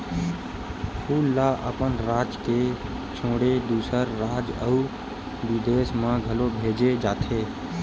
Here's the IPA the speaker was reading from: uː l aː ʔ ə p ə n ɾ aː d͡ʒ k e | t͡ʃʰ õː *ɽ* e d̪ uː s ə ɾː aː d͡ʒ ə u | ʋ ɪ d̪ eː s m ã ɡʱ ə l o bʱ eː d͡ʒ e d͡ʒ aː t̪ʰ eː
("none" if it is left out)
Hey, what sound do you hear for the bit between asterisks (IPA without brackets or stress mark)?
ɽ